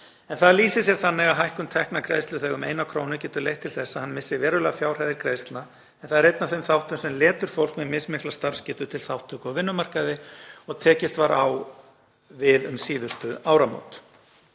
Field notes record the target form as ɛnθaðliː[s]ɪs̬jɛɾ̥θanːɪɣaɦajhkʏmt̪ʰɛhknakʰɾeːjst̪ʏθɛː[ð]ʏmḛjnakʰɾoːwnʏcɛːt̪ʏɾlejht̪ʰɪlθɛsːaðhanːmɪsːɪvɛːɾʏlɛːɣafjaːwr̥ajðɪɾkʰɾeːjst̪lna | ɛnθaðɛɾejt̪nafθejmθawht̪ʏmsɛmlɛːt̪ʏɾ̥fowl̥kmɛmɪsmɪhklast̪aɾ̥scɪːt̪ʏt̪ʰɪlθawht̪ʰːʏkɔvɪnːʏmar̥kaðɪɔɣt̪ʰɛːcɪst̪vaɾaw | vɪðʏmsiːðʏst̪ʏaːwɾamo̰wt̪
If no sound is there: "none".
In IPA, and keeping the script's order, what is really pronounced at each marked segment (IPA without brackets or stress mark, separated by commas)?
s, ɣ